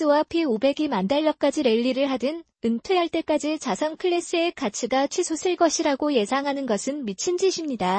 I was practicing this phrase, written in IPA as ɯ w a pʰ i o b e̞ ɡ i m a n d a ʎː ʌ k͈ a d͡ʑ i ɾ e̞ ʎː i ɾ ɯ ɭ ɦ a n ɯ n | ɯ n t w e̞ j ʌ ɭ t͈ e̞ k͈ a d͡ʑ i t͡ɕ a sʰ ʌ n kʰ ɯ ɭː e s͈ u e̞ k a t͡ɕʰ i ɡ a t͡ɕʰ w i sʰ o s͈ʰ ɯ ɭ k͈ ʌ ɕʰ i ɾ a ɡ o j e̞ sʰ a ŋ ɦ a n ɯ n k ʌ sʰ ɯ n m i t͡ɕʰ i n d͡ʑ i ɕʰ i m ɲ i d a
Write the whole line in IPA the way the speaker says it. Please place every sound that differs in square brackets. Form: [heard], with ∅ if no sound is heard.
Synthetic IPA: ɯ w a pʰ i o b e̞ ɡ i m a n d a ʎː ʌ k͈ a d͡ʑ i ɾ e̞ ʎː i ɾ ɯ ɭ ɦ a [d] ɯ n | ɯ n [tʰ] w e̞ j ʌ ɭ t͈ e̞ k͈ a d͡ʑ i t͡ɕ a sʰ ʌ n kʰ ɯ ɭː e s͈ [ɯ] e̞ k a t͡ɕʰ i ɡ a t͡ɕʰ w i sʰ o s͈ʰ ɯ ɭ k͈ ʌ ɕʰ i ɾ a ɡ o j e̞ sʰ a ŋ ɦ a n ɯ n [ɡ] ʌ sʰ ɯ n m i t͡ɕʰ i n d͡ʑ i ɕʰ i m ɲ i d a